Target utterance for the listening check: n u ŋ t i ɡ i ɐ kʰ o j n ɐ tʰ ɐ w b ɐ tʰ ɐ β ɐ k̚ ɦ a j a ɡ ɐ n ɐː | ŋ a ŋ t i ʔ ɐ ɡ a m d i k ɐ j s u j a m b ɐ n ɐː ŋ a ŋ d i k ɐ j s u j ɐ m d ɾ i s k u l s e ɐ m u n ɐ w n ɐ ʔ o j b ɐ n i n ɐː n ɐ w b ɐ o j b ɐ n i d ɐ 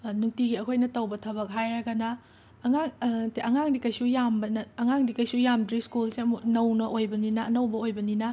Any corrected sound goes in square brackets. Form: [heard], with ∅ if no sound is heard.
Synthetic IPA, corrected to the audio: n u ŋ t i ɡ i ɐ kʰ o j n ɐ [t] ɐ w b ɐ tʰ ɐ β ɐ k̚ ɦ a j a ɡ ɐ n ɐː | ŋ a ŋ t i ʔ ɐ [ŋ] a [ŋ] d i k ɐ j s u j a m b ɐ n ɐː ŋ a ŋ d i k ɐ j s u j [a] m d ɾ i s k u l s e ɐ m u n ɐ w n ɐ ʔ o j b ɐ n i n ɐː n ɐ w b ɐ o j b ɐ n i [n] ɐ

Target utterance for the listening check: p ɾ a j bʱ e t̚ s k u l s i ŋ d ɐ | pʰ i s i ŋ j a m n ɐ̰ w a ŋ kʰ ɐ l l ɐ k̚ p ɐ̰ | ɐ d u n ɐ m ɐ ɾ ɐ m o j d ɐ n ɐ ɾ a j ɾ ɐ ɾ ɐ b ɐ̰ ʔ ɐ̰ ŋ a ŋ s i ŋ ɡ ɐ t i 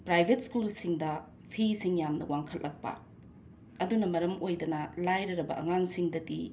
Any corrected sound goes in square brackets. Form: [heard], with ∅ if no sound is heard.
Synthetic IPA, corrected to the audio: p ɾ a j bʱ e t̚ s k u l s i ŋ d ɐ | pʰ i s i ŋ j a m n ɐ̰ w a ŋ kʰ ɐ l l ɐ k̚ p ɐ̰ | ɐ d u n ɐ m ɐ ɾ ɐ m o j d ɐ n ɐ [l] a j ɾ ɐ ɾ ɐ b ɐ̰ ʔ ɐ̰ ŋ a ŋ s i ŋ [d] ɐ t i

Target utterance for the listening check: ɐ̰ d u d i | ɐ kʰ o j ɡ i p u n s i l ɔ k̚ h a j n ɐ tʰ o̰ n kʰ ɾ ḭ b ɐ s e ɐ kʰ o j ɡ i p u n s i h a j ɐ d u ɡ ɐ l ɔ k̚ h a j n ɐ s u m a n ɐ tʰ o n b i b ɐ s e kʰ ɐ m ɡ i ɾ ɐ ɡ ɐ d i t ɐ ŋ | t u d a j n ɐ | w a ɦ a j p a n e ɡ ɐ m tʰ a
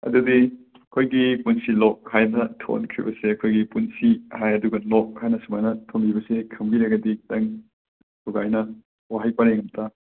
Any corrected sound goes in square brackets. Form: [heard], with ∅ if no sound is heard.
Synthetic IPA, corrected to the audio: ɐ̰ d u d i | ɐ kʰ o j ɡ i p u n s i l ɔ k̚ h a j n ɐ tʰ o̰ n kʰ ɾ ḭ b ɐ s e ɐ kʰ o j ɡ i p u n s i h a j ɐ d u ɡ ɐ l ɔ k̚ h a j n ɐ s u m a n ɐ tʰ o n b i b ɐ s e kʰ ɐ m ɡ i ɾ ɐ ɡ ɐ d i t ɐ ŋ | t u [ɡ] a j n ɐ | w a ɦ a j p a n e [ŋ] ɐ m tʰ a

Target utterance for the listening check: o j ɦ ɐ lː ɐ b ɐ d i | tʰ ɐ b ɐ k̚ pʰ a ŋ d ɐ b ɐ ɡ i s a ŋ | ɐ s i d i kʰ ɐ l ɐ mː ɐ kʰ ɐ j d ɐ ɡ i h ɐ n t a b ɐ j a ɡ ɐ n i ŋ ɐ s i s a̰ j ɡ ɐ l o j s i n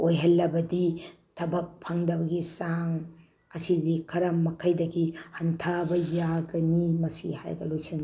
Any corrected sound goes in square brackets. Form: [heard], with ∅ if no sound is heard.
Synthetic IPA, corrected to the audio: o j ɦ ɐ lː ɐ b ɐ d i | tʰ ɐ b ɐ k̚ pʰ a ŋ d ɐ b ɐ ɡ i s a ŋ | ɐ s i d i kʰ ɐ [ɾ] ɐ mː ɐ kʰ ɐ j d ɐ ɡ i h ɐ n [tʰ] a b ɐ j a ɡ ɐ n i [m] ɐ s i [h] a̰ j ɡ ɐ l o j s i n

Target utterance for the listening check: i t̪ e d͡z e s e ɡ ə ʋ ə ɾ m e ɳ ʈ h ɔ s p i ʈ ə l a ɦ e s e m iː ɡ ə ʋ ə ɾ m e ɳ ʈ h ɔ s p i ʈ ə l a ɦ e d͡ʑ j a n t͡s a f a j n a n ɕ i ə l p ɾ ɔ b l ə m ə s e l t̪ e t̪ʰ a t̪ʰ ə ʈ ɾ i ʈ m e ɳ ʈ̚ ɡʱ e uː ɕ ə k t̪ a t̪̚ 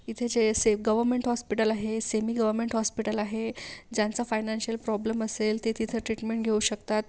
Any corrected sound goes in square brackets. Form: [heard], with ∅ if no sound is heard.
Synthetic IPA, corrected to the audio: i [t̪ʰ] e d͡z e s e ɡ ə ʋ ə ɾ m e ɳ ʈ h ɔ s p i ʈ ə l a ɦ e s e m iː ɡ ə ʋ ə ɾ m e ɳ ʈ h ɔ s p i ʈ ə l a ɦ e d͡ʑ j a n t͡s a f a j n a n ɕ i ə l p ɾ ɔ b l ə m ə s e l t̪ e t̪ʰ [i] t̪ʰ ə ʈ ɾ i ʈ m e ɳ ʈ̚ ɡʱ e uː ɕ ə k t̪ a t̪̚

